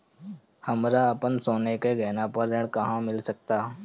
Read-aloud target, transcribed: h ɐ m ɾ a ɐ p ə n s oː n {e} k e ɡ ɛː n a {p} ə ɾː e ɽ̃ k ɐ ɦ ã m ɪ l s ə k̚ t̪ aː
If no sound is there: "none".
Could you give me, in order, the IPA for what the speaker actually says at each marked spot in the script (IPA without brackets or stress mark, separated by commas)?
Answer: e, p